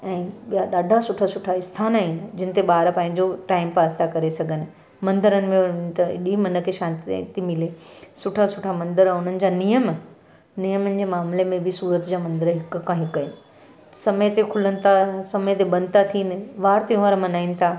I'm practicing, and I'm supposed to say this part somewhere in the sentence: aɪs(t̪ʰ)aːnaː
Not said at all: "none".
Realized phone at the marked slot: t̪ʰ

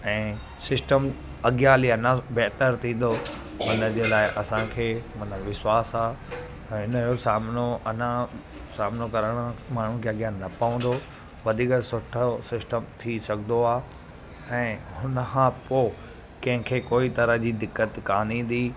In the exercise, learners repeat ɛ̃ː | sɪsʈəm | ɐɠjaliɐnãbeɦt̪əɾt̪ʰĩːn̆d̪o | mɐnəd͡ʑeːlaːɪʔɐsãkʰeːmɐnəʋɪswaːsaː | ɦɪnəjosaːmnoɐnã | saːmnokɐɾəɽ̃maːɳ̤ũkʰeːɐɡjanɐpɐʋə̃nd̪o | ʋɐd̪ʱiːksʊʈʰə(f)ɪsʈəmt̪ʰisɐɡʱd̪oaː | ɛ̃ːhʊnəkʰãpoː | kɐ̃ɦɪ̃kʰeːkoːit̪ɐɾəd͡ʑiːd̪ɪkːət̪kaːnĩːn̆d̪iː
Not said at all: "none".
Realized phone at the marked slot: s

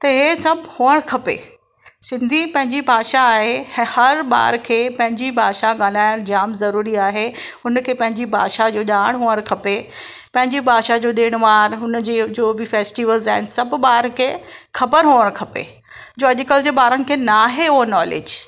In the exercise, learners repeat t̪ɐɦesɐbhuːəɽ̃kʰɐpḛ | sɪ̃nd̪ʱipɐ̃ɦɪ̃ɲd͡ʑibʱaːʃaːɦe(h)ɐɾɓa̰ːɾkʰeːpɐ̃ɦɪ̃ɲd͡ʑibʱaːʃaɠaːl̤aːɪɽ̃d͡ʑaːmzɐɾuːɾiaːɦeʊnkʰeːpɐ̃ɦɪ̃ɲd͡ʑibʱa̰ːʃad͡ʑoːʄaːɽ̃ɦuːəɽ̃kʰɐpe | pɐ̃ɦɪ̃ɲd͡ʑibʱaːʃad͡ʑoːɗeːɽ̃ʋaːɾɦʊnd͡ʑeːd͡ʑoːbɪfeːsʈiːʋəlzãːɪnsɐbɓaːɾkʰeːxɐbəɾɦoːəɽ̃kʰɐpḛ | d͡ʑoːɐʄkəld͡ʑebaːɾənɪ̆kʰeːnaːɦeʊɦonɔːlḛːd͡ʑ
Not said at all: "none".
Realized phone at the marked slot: h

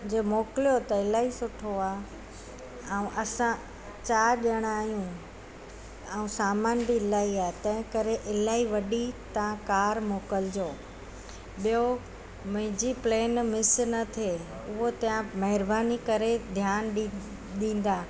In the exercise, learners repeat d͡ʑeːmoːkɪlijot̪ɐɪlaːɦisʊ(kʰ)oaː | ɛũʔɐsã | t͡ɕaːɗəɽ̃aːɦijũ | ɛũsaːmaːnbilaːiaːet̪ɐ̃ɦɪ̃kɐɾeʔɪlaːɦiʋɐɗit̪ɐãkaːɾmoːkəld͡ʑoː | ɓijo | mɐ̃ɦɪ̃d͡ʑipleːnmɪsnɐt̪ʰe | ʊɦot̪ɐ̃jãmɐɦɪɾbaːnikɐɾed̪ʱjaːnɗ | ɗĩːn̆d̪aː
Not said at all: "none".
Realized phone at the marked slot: ʈʰ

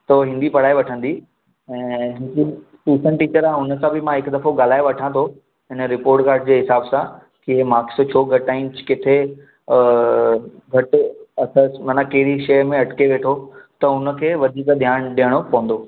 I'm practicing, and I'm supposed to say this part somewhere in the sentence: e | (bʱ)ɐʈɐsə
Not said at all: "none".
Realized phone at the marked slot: ɡʱ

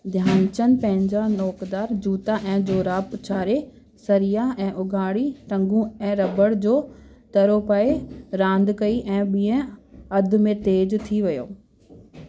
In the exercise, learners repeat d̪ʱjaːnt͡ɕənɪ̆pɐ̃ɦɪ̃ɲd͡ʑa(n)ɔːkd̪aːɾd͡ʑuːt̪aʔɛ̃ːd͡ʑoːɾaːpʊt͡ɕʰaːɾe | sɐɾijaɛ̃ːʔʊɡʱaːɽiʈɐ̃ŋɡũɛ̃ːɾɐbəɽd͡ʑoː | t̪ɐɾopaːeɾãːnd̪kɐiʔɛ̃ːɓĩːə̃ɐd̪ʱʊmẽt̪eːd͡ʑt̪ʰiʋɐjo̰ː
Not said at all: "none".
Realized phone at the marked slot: n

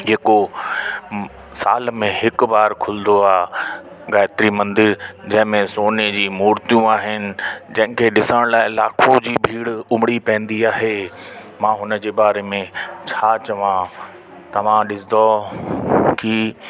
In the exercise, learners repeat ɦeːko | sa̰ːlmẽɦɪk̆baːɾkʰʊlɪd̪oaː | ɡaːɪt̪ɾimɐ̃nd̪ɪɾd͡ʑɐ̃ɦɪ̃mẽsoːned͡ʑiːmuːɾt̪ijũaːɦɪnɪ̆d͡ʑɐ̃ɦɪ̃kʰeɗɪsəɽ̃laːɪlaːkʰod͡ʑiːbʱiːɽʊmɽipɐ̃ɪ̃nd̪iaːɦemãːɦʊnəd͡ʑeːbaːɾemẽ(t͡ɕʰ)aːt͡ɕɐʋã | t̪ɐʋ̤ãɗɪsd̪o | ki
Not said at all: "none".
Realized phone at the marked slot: t͡ɕʰ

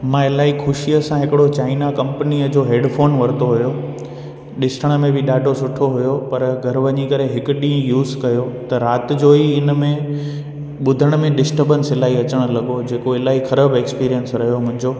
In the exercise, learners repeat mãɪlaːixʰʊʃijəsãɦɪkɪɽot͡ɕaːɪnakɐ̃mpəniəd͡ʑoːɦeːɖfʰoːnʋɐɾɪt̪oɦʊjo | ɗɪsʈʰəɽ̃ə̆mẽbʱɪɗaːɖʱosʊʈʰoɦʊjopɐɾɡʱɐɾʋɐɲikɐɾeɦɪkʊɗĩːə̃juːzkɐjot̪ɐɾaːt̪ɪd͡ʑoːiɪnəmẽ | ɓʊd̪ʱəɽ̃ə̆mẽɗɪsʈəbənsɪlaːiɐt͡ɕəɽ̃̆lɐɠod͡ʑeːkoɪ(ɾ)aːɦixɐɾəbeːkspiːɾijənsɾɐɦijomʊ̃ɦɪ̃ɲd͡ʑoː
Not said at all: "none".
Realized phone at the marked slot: l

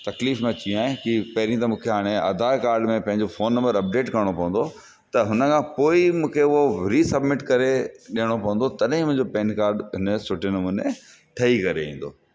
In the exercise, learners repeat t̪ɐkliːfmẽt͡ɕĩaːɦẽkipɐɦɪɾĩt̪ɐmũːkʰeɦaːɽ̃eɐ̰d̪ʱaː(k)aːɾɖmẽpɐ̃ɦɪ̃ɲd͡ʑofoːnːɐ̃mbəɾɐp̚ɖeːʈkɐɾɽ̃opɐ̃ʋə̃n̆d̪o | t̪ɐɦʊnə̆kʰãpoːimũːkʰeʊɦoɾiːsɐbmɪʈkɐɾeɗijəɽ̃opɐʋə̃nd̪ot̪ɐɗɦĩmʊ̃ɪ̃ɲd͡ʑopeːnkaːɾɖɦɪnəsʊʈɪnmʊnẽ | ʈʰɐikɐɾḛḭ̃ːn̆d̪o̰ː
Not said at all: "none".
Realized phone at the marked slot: k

